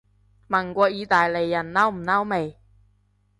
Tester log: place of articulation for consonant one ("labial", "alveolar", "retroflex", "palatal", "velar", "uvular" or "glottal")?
labial